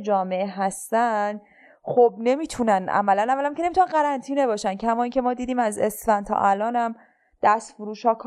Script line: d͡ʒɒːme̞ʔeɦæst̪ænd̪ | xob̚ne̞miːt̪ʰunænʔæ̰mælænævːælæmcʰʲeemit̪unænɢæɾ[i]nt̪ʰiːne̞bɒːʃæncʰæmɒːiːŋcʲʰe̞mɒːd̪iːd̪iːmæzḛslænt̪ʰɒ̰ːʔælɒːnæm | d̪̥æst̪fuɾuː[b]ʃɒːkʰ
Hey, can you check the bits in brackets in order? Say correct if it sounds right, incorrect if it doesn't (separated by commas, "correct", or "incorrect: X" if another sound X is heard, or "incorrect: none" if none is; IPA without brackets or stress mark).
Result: incorrect: æ, incorrect: none